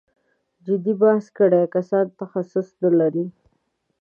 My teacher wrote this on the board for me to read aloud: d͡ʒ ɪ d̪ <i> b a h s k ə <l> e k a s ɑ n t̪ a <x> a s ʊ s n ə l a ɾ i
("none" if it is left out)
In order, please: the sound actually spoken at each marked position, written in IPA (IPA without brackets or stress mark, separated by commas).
i, ɽ, x